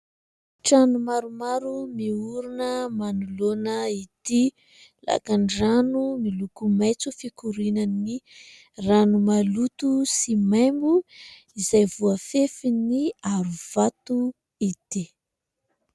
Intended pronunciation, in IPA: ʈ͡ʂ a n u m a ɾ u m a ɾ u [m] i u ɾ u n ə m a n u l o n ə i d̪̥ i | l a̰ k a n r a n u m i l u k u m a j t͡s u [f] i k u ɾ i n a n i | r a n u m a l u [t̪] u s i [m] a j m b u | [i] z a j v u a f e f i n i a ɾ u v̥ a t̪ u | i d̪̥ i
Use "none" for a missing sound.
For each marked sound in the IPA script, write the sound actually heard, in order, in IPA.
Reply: m, f, t̪, m, i

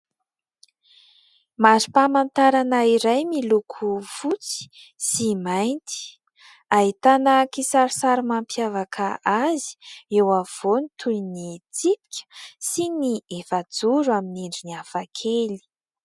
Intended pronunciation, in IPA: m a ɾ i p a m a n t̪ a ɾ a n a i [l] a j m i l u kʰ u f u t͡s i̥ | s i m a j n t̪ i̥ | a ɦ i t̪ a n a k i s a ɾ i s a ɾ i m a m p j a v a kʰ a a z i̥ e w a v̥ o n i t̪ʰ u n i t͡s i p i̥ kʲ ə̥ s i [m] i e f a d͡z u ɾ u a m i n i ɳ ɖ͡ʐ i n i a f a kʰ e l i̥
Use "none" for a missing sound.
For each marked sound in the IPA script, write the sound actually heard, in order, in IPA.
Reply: ɾ, n

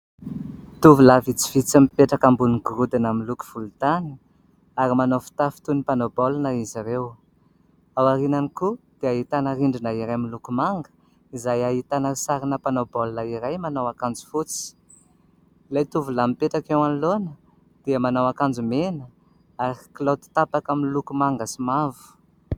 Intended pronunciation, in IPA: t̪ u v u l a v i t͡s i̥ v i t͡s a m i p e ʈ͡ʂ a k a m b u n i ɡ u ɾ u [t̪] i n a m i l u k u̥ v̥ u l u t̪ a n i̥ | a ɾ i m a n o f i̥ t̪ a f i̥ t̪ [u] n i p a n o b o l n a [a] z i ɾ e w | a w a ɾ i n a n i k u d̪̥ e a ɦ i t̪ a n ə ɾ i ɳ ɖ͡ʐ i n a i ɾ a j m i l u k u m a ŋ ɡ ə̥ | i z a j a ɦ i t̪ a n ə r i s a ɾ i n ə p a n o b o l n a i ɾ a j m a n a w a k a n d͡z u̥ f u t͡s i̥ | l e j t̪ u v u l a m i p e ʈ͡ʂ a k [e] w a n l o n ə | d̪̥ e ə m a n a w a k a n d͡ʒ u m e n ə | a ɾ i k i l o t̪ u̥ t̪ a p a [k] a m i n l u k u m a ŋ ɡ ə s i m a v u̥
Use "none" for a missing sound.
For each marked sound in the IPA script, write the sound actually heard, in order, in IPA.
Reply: d̪, u, i, e, k

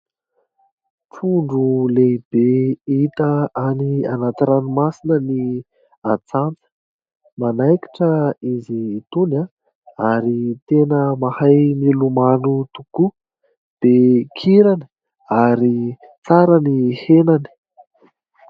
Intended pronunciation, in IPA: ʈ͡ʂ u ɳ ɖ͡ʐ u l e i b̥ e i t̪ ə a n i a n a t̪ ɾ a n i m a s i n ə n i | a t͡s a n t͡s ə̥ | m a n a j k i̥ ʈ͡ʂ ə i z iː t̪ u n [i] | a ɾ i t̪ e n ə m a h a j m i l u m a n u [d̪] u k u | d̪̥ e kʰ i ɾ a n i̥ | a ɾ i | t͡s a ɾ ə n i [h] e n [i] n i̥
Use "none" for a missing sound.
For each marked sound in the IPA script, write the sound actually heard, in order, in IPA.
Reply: a, t̪, h, a

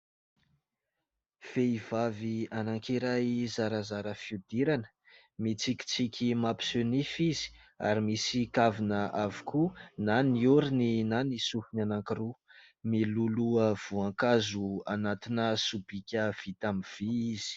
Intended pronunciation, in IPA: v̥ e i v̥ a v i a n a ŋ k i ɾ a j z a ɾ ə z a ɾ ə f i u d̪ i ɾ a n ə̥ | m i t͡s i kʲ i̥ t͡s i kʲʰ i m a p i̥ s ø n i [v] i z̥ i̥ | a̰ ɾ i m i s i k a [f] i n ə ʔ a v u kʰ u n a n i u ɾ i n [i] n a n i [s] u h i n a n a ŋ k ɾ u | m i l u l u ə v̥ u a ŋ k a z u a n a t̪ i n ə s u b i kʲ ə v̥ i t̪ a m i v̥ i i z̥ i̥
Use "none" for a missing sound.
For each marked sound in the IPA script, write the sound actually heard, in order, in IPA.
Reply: f, v, i, s

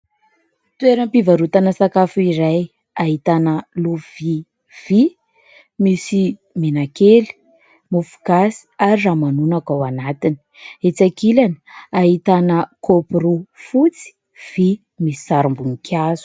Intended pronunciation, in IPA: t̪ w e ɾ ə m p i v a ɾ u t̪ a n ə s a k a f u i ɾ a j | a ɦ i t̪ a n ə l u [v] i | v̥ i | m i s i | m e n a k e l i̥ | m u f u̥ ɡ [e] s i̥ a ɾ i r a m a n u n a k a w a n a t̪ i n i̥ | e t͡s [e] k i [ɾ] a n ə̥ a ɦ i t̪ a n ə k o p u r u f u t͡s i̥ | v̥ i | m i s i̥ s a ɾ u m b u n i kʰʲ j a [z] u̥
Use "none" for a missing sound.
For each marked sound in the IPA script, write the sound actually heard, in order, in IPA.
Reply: v, a, a, l, z

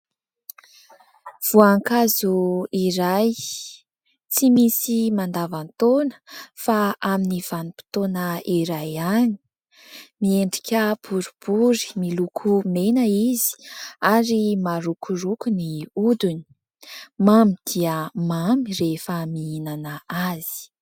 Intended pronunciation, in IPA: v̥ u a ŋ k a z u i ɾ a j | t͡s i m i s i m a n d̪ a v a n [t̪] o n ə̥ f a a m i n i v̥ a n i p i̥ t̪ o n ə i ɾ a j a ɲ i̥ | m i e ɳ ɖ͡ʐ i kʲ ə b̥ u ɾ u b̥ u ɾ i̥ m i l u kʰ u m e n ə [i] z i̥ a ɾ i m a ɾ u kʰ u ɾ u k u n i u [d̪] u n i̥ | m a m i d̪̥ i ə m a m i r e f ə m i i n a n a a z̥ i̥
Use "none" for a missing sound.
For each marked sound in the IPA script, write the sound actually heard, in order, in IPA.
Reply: t̪, i, d̪

